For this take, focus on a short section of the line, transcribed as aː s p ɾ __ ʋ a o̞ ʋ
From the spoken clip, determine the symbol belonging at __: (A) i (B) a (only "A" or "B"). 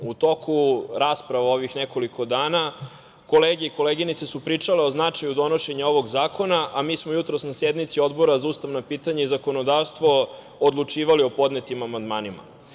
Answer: B